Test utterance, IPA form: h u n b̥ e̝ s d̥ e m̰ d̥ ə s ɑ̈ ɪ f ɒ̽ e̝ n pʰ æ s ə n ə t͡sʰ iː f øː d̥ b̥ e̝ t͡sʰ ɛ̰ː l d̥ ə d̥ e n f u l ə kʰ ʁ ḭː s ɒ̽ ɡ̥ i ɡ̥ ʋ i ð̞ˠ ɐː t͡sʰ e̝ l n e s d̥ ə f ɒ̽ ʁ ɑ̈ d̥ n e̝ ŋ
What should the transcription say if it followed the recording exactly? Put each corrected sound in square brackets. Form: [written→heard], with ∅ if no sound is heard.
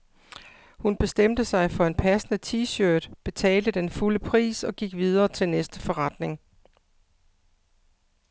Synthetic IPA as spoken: h u n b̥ e̝ s d̥ e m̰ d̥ ə s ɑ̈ ɪ f ɒ̽ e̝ n pʰ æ s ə n ə t͡sʰ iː [f→ɕ] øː d̥ b̥ e̝ t͡sʰ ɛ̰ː l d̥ ə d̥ e n f u l ə [kʰ→pʰ] ʁ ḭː s ɒ̽ ɡ̥ i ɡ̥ ʋ i ð̞ˠ ɐː t͡sʰ e̝ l n e s d̥ ə f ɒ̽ ʁ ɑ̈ d̥ n e̝ ŋ